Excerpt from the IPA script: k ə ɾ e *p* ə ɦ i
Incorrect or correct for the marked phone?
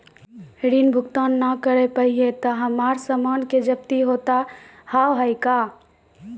correct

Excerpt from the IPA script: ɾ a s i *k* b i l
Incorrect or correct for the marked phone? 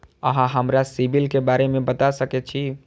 incorrect: none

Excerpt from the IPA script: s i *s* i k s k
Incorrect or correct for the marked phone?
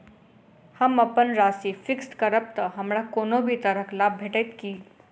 incorrect: f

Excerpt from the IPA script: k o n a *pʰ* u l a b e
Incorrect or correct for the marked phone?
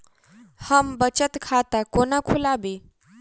incorrect: kʰ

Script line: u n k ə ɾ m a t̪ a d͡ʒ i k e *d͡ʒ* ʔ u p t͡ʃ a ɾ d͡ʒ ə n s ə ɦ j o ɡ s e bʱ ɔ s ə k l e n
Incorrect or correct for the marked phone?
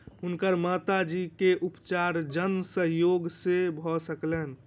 incorrect: none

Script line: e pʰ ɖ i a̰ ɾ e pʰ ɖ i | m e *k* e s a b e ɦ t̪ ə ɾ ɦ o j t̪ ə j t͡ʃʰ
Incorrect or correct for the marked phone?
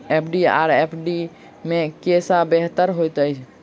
correct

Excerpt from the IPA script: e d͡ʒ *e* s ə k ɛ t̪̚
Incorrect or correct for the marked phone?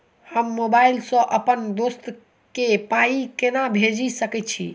incorrect: i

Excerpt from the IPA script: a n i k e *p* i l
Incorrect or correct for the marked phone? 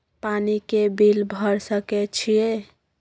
incorrect: b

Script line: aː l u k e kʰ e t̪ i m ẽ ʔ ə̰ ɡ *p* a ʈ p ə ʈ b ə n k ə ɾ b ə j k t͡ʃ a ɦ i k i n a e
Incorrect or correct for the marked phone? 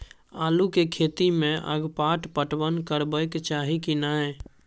correct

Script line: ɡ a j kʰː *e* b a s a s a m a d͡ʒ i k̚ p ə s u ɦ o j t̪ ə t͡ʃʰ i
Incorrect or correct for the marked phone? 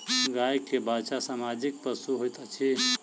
correct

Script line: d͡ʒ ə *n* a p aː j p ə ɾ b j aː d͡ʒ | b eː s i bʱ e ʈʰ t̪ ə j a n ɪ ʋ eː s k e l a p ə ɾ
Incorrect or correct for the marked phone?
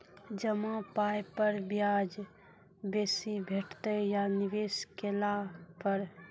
incorrect: m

